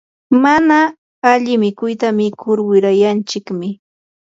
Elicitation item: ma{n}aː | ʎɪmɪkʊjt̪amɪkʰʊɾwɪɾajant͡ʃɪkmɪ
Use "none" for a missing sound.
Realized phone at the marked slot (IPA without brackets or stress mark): n